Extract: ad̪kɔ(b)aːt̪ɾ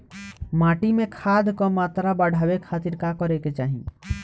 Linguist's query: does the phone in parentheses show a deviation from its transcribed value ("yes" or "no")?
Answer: yes